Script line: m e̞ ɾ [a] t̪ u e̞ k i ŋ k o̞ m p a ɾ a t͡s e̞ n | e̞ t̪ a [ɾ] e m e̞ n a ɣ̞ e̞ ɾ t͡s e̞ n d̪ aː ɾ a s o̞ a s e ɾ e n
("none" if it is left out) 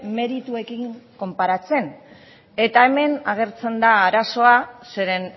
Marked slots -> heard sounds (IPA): i, none

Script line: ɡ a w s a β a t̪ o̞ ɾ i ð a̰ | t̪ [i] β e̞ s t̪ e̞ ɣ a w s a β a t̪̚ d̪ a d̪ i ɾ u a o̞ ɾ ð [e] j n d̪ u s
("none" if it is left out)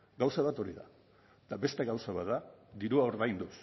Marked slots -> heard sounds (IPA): a, a

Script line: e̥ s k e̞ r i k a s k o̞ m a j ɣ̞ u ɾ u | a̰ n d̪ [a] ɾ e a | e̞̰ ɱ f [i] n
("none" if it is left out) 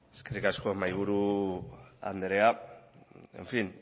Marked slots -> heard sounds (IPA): e, i

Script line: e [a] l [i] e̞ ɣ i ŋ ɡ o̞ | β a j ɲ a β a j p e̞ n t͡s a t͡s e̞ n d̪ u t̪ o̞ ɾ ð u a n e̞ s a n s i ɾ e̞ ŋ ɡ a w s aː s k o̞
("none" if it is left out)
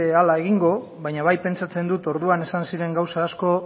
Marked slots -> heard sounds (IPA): a, a

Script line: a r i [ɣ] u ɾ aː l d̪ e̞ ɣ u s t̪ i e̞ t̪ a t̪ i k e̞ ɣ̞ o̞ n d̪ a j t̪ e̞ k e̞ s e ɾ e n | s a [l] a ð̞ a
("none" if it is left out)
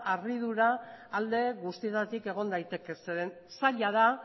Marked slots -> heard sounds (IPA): ð, ʎ

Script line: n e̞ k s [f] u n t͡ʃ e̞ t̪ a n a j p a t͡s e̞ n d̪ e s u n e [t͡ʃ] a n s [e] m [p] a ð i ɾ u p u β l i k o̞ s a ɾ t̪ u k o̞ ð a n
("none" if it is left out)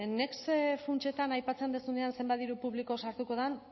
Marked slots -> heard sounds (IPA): f, none, e, b

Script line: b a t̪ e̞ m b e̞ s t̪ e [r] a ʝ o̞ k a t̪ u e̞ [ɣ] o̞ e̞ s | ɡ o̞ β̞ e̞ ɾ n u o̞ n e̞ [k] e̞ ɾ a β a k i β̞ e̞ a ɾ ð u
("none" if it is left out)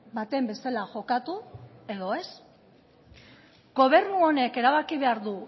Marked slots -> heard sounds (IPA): l, ð, k

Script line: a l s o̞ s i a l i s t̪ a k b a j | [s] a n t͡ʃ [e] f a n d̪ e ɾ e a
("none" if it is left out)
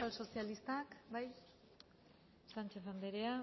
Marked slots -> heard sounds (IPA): s, e

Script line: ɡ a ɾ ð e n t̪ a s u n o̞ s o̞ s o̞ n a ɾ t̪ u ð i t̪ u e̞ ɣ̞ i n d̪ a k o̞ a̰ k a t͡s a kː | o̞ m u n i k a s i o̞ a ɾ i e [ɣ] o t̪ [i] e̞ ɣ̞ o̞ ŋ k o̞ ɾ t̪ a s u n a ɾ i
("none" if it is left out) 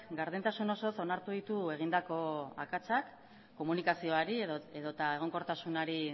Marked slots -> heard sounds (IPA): ð, a

